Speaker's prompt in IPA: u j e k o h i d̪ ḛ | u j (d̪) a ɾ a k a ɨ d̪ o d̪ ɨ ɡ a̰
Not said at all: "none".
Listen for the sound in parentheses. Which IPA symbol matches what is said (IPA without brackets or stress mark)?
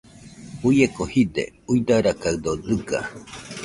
d̪